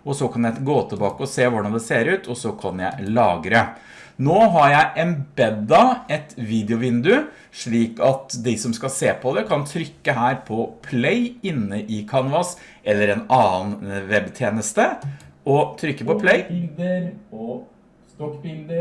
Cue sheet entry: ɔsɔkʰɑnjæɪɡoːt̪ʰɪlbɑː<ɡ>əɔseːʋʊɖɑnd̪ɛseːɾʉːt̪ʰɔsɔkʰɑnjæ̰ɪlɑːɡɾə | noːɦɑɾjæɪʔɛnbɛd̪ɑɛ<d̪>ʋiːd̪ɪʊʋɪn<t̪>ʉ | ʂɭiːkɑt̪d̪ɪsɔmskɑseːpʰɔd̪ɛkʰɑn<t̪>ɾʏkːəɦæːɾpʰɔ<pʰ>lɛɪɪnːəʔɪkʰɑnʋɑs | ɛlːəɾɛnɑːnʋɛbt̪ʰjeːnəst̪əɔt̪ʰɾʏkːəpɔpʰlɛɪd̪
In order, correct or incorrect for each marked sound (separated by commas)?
incorrect, incorrect, incorrect, incorrect, correct